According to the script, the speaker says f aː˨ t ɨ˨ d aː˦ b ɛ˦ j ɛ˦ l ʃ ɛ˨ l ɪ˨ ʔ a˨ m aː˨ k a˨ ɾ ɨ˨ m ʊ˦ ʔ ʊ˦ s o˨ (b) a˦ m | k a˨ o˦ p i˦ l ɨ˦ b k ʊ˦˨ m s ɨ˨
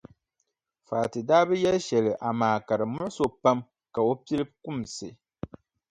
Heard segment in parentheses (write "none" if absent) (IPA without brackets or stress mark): p